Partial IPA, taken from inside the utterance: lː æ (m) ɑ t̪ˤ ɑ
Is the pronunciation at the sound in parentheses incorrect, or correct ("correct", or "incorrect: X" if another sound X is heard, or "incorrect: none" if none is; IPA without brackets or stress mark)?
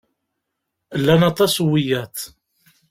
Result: incorrect: n